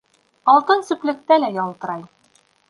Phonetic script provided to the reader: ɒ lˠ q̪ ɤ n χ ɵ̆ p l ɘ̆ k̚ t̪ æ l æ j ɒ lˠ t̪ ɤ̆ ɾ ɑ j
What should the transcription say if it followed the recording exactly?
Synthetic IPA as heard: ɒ lˠ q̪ ɤ n s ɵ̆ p l ɘ̆ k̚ t̪ æ l æ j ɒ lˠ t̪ ɤ̆ ɾ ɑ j